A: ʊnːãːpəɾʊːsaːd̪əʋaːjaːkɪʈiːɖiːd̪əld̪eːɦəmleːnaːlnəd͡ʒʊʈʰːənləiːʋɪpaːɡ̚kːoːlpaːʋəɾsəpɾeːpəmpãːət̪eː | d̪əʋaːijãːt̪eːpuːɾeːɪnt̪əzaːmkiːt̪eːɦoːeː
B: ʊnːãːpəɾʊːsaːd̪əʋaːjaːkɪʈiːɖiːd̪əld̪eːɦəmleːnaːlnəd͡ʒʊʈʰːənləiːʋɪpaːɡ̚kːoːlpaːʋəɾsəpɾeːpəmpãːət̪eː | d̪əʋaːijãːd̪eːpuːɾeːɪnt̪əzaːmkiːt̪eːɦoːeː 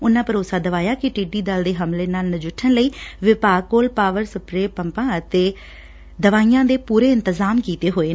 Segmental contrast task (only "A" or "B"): B